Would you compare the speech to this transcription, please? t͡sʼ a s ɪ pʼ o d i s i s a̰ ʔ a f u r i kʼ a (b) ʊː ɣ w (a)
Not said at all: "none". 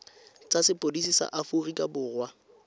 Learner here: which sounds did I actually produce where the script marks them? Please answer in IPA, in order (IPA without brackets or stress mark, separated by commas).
b, a